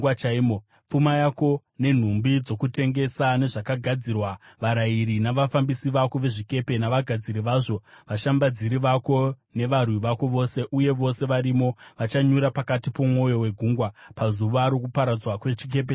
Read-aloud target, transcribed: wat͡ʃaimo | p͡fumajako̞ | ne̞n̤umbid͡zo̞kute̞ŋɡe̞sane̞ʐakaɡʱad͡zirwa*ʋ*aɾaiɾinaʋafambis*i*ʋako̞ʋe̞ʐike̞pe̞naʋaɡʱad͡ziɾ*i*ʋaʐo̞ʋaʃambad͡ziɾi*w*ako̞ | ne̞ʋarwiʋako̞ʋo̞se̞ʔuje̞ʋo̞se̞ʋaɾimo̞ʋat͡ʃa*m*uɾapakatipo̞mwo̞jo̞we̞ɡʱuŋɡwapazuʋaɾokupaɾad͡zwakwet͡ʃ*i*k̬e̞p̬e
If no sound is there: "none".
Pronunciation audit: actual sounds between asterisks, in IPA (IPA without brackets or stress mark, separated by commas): ʋ, i, i, ʋ, ɲ, i